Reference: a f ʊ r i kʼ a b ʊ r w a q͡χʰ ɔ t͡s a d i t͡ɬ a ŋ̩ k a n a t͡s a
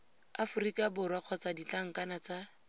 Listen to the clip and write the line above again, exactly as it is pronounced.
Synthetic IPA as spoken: a f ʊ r i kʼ a b ʊ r w a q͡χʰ ɔ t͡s a d i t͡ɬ a ŋ̩ k a n a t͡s a